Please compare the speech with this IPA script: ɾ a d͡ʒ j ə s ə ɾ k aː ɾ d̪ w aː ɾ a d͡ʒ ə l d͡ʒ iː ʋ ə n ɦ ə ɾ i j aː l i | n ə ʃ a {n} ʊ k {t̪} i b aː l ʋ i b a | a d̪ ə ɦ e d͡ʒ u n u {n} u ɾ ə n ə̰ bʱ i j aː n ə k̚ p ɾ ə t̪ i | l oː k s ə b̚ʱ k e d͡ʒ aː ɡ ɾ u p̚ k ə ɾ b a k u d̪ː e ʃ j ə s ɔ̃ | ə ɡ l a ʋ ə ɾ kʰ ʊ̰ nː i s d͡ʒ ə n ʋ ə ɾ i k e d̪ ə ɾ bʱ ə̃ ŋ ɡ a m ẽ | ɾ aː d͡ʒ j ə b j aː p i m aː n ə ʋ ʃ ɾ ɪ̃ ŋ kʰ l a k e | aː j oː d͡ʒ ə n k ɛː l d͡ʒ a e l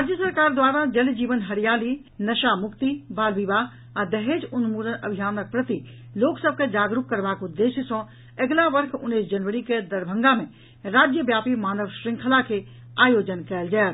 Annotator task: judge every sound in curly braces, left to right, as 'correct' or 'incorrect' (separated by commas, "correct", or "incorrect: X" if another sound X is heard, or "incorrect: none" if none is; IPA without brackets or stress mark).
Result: incorrect: m, correct, incorrect: m